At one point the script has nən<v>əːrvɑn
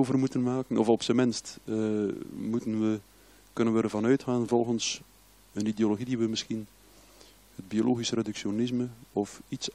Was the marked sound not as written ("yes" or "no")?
yes